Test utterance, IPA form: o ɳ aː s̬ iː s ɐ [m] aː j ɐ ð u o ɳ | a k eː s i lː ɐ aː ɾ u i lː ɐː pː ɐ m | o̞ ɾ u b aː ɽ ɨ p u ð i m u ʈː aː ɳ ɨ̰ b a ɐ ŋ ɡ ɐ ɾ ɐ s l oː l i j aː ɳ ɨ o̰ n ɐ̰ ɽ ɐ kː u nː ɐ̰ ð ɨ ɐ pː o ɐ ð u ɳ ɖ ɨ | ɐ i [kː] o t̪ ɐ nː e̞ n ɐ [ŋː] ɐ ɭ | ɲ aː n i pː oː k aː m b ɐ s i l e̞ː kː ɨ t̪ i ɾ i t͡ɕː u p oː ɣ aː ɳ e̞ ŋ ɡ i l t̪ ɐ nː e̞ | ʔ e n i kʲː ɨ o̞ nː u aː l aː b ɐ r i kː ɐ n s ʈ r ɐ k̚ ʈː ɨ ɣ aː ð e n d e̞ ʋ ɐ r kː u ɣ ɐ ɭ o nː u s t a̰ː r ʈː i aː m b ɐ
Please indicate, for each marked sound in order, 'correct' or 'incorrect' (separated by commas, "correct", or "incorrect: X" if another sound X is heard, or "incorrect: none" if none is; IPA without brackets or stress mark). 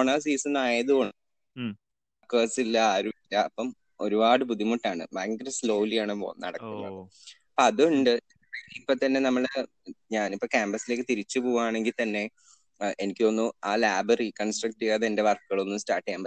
incorrect: n, incorrect: pː, incorrect: mː